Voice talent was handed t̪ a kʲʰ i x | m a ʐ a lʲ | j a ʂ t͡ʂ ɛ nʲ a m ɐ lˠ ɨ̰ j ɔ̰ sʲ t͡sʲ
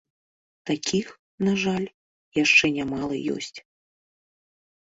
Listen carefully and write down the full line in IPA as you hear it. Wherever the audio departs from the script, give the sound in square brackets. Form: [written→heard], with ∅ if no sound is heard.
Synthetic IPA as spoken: t̪ a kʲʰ i x | [m→n] a ʐ a lʲ | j a ʂ t͡ʂ ɛ nʲ a m [ɐ→a] lˠ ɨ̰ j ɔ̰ sʲ t͡sʲ